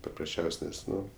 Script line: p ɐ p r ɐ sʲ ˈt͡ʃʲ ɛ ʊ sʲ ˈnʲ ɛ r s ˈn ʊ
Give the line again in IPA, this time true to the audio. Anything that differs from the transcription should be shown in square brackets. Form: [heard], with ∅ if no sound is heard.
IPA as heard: p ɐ p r ɐ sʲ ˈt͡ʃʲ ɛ ʊ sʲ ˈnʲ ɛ [∅] s ˈn ʊ